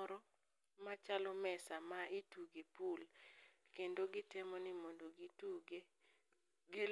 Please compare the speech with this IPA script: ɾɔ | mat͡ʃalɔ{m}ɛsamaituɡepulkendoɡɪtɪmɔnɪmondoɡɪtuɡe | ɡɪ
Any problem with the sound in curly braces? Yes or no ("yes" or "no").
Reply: no